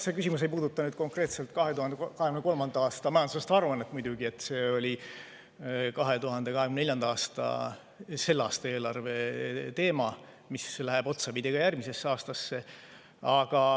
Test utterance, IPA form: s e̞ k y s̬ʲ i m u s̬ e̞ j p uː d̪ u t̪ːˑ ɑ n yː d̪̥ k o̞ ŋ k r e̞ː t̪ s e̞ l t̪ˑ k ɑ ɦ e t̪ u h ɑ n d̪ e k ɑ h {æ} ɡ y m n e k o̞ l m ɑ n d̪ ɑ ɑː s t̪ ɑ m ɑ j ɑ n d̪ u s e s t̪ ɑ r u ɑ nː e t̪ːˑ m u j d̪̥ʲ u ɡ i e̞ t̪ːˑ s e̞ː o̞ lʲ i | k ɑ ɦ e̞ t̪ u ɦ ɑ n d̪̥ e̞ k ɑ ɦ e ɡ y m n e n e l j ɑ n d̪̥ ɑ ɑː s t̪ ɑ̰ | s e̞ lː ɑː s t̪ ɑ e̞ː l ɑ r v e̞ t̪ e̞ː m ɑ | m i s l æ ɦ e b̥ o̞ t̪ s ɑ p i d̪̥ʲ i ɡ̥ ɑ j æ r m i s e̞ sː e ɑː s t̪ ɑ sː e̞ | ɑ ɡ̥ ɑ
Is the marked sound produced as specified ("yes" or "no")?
no